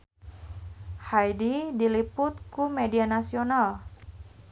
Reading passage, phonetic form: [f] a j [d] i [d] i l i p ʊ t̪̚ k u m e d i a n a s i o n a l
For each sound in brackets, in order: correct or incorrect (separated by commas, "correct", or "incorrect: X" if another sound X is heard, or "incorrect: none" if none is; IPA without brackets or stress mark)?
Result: incorrect: h, correct, correct